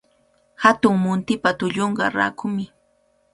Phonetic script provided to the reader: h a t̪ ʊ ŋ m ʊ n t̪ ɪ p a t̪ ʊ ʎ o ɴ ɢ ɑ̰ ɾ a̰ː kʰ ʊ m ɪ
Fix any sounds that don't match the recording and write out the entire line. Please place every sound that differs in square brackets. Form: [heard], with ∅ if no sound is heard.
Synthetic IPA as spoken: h a t̪ ʊ ŋ m ʊ n t̪ ɪ p a t̪ ʊ ʎ o ɴ ɢ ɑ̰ ɾ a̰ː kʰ ʊ m ɪ